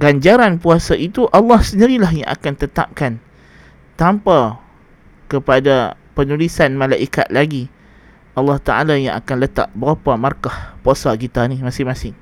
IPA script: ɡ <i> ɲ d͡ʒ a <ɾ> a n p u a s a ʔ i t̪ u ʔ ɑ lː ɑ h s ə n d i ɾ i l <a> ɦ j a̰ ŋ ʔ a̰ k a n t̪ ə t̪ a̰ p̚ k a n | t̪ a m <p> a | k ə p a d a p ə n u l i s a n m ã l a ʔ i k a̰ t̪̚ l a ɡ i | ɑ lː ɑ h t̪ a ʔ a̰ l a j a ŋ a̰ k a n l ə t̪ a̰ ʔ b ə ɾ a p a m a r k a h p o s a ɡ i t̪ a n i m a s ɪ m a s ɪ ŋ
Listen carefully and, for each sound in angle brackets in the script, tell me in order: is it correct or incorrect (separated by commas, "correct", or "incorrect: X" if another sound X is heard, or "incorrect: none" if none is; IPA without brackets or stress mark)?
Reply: incorrect: a, correct, correct, correct